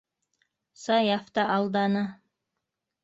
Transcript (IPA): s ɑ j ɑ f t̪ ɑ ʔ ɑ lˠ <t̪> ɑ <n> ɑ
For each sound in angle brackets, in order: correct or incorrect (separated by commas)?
incorrect, correct